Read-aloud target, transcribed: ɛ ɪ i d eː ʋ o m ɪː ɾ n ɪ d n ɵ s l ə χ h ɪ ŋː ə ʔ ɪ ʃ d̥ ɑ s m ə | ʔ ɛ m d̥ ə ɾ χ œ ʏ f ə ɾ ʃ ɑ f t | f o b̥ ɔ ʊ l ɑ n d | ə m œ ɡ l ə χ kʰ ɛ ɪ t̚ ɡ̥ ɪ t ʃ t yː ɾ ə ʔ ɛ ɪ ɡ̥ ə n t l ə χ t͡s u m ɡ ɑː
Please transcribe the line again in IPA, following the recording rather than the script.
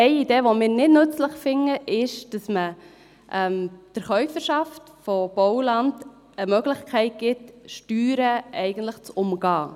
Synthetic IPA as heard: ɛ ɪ i d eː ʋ o m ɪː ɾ n ɪ d n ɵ t͡s l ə χ f ɪ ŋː ə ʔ ɪ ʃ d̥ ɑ s m ə | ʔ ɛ m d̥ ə ɾ χ œ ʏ f ə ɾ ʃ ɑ f t | f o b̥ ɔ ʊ l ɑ n d | ə m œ ɡ l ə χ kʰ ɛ ɪ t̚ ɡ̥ ɪ t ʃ t yː ɾ ə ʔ ɛ ɪ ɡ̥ ə n t l ə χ t͡s ʊ m ɡ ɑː